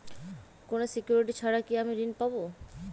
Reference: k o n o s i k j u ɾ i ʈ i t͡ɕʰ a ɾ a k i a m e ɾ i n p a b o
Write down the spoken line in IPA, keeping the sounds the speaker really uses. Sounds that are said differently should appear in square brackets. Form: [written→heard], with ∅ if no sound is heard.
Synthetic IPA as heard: k o n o s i k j u ɾ i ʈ i t͡ɕʰ a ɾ a k i a m [e→i] ɾ i n p a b o